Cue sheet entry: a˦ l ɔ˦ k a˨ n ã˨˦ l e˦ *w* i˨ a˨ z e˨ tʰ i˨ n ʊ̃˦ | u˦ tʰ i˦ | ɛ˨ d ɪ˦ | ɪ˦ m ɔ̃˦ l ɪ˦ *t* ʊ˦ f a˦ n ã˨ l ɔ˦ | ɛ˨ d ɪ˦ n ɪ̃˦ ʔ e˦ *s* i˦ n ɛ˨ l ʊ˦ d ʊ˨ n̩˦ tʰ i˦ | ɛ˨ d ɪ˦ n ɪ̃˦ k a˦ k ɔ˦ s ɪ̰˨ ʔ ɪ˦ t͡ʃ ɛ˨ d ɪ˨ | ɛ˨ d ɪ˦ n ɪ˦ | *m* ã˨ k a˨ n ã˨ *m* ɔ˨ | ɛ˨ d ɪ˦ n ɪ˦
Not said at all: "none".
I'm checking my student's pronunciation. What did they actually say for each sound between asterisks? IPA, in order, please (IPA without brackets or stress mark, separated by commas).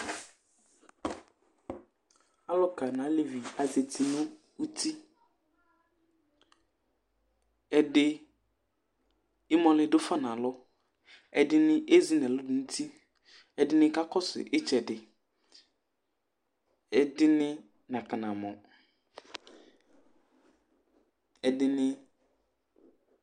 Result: v, d, z, n, m